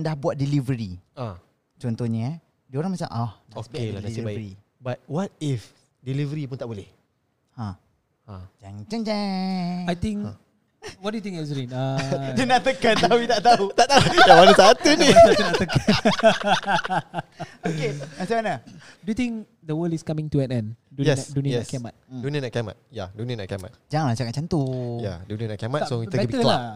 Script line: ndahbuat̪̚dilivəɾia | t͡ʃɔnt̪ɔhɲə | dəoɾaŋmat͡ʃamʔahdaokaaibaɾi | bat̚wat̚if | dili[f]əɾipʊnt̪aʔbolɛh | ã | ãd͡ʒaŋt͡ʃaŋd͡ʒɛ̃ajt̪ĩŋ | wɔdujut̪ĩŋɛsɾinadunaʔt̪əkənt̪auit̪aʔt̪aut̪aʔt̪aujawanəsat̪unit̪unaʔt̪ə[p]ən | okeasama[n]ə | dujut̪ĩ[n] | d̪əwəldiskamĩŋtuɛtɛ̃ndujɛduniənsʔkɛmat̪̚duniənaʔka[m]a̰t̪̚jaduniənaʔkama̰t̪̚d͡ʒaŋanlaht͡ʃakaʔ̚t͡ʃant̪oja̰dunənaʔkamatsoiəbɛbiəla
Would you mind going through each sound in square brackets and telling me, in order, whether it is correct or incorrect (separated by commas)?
incorrect, incorrect, correct, incorrect, correct